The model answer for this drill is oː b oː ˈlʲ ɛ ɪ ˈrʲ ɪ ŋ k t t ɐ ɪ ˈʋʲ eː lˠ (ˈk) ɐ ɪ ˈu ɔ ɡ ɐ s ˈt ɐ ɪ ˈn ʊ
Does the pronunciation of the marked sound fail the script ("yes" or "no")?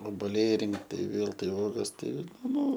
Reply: yes